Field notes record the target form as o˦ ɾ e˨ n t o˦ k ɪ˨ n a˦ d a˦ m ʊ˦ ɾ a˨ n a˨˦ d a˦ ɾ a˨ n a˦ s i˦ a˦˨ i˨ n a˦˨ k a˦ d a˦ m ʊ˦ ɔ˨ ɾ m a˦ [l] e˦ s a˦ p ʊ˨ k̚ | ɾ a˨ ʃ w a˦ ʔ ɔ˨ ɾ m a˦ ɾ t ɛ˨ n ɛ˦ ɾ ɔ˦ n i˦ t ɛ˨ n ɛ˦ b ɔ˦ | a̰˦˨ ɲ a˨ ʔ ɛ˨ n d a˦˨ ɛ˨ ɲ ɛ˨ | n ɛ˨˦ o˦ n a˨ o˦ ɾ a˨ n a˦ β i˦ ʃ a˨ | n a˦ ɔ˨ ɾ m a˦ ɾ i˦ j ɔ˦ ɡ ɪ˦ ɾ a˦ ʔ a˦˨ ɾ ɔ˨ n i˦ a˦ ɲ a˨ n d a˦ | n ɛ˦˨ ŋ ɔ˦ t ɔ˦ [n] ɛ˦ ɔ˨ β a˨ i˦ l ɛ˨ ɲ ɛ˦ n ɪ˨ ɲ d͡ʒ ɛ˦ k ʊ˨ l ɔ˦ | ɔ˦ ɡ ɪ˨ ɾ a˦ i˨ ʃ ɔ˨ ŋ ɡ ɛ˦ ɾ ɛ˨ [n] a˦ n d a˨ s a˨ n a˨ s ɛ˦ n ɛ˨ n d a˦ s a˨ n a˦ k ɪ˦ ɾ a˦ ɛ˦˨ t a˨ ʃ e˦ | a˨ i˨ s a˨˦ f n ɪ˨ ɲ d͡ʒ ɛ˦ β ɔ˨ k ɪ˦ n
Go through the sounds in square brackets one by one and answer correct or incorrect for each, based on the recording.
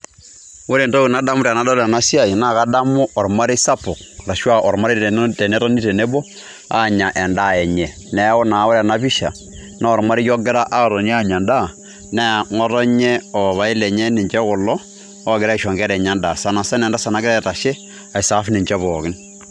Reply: incorrect: ɾ, incorrect: ɲ, incorrect: ɲ

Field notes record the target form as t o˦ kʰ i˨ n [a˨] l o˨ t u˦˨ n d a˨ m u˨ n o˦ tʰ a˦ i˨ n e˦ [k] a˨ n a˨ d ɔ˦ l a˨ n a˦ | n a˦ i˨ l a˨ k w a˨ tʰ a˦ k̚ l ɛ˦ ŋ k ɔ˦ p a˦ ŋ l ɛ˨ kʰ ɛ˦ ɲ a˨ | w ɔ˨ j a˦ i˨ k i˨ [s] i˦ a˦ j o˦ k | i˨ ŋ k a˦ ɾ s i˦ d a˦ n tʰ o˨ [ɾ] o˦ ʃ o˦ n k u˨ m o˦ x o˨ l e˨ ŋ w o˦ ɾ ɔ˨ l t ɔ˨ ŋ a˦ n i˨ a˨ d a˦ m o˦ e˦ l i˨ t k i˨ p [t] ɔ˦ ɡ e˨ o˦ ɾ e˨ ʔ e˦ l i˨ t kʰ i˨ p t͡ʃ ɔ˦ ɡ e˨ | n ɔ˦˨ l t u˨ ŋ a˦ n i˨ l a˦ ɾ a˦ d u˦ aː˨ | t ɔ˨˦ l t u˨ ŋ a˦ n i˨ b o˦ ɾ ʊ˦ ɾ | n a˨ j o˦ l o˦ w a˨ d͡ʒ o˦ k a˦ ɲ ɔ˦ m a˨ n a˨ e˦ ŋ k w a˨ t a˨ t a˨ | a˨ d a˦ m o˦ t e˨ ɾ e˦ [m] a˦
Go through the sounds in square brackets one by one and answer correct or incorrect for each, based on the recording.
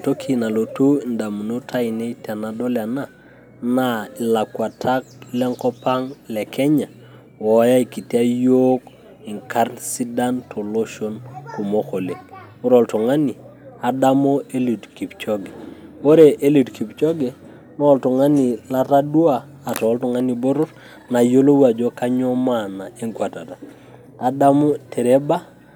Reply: correct, incorrect: t, incorrect: t, incorrect: l, incorrect: t͡ʃ, incorrect: b

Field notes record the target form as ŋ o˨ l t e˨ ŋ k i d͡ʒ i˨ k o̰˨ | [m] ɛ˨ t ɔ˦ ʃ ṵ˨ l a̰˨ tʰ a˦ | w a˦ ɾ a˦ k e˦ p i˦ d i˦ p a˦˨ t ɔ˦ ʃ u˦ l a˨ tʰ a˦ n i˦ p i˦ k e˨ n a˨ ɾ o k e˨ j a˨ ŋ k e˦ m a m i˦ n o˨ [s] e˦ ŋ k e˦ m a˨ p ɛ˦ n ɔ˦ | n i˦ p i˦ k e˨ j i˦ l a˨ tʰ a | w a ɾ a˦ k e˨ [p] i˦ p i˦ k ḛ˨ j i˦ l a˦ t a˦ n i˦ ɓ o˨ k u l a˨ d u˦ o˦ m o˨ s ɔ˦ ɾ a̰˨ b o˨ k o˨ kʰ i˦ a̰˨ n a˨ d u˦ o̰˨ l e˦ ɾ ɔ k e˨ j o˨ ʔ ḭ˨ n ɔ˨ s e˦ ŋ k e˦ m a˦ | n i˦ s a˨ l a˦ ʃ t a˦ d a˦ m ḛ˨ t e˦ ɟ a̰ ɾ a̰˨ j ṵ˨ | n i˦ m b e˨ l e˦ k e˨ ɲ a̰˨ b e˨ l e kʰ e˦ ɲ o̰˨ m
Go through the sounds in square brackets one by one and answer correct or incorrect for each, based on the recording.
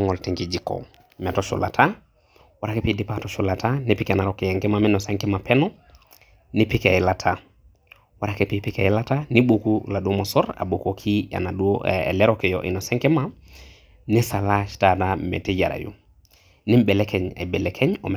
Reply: correct, correct, correct

